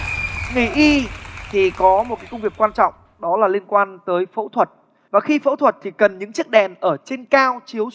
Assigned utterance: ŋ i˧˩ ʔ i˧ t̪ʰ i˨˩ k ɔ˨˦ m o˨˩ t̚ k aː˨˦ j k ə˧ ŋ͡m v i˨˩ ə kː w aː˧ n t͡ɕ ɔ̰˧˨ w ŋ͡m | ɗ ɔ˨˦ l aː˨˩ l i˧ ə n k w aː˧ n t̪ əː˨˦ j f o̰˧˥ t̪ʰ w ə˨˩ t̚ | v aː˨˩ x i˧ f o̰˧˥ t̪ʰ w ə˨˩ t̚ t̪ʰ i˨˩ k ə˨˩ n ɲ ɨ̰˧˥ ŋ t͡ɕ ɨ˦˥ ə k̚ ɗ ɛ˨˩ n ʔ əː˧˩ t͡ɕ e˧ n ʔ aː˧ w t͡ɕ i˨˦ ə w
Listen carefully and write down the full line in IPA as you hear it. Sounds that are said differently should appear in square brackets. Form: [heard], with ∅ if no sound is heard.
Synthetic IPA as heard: ŋ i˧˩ ʔ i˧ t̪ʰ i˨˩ k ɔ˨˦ m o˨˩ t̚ k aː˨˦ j k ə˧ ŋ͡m v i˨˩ ə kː w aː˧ n t͡ɕ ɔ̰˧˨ w ŋ͡m | ɗ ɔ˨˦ l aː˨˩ l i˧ ə n k w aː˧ n t̪ əː˨˦ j f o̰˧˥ t̪ʰ w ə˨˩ t̚ | v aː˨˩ x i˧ f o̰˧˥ t̪ʰ w ə˨˩ t̚ t̪ʰ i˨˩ k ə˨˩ n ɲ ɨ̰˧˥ ŋ t͡ɕ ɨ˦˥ ə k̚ ɗ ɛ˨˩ n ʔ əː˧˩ t͡ɕ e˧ n [k] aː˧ w t͡ɕ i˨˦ ə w